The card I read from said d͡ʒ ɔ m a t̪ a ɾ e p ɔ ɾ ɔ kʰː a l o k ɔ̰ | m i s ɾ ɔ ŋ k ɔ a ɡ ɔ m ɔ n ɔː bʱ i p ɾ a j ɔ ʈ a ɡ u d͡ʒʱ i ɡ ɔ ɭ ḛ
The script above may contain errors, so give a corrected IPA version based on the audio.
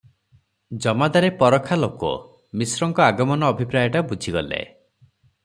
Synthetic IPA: d͡ʒ ɔ m a d̪ a ɾ e p ɔ ɾ ɔ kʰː a l o k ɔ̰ | m i s ɾ ɔ ŋ k ɔ a ɡ ɔ m ɔ n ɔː bʱ i p ɾ a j ɔ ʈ a b u d͡ʒʱ i ɡ ɔ l ḛ